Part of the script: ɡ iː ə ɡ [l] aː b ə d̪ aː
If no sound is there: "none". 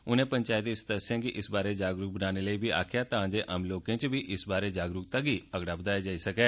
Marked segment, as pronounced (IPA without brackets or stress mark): ɽ